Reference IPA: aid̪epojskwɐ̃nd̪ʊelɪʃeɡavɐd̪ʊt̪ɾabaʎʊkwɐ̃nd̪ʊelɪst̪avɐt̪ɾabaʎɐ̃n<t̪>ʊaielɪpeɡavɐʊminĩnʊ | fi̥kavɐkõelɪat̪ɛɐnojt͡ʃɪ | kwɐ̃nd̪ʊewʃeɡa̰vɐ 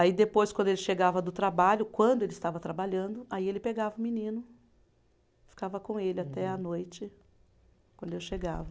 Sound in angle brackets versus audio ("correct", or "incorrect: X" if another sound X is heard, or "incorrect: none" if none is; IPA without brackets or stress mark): incorrect: d̪